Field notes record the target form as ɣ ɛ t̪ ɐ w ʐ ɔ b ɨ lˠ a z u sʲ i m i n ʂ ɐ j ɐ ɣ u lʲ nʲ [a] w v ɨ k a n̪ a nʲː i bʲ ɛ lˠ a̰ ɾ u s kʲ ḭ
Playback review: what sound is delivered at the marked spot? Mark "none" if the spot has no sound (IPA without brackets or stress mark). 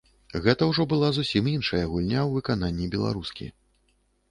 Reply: a